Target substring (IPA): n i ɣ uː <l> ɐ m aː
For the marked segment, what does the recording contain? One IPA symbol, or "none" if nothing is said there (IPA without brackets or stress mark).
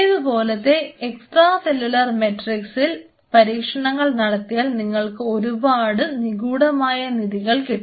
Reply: ɽ